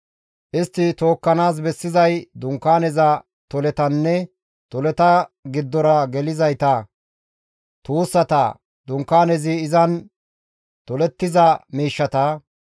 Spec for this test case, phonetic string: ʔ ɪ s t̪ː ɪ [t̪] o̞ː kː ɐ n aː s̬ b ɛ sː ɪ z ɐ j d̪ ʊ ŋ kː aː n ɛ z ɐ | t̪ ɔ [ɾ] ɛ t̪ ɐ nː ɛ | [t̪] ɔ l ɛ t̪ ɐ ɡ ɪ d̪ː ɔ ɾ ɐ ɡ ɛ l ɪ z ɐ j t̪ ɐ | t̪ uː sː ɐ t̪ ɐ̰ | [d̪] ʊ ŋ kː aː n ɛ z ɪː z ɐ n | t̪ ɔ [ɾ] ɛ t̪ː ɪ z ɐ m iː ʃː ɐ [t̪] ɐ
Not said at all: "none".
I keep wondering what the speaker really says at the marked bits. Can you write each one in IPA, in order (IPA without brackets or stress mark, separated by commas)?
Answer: t̪, l, t̪, d̪, l, t̪